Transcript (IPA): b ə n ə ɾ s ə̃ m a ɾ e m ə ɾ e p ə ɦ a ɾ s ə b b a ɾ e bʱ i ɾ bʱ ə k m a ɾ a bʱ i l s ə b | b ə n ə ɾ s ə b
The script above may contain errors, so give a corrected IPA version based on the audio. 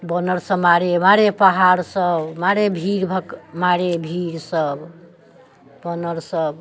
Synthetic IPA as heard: b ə n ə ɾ s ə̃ m a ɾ e m a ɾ e p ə ɦ a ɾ s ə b m a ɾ e bʱ i ɾ bʱ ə k m a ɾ e bʱ i ɾ s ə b | b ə n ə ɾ s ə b